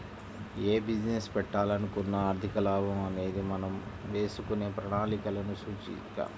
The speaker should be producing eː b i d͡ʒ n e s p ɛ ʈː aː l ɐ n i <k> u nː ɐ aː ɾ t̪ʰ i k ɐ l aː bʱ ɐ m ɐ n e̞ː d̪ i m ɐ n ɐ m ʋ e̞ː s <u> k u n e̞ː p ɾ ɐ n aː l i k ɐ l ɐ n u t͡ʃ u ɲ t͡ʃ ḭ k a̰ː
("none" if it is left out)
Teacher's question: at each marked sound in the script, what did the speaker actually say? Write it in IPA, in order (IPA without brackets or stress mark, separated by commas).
k, u